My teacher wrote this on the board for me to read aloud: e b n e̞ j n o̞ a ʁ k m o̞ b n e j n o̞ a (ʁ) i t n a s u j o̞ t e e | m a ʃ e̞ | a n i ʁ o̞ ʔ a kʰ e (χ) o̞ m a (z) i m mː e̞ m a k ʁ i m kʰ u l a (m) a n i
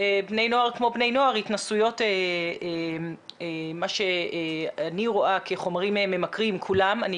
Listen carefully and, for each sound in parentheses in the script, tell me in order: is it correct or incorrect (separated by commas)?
correct, correct, incorrect, correct